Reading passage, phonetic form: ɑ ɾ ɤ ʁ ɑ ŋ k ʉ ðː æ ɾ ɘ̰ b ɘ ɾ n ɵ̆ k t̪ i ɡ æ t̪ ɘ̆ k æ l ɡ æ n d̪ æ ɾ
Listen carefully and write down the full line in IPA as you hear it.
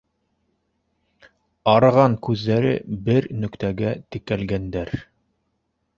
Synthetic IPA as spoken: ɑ ɾ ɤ ʁ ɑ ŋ k ʉ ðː æ ɾ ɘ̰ b ɘ ɾ n ɵ̆ k t̪ æ ɡ æ t̪ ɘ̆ k æ l ɡ æ n d̪ æ ɾ